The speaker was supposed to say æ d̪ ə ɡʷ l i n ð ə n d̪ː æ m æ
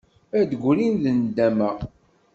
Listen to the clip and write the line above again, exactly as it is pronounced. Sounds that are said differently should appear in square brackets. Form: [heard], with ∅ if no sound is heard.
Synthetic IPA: æ d̪ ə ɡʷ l i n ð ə n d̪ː æ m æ